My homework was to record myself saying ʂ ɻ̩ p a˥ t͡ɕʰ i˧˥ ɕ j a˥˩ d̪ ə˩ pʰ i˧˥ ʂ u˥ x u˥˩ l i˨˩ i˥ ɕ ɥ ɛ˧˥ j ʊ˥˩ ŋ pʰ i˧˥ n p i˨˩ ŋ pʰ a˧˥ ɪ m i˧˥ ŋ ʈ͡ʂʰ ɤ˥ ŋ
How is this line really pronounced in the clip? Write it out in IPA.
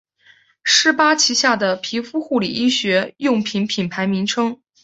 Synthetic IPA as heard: ʂ ɻ̩ p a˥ t͡ɕʰ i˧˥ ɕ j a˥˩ d̪ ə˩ pʰ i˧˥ f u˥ x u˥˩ l i˨˩ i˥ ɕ ɥ ɛ˧˥ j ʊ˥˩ ŋ pʰ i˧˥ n pʰ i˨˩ n pʰ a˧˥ ɪ m i˧˥ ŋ ʈ͡ʂʰ ɤ˥ ŋ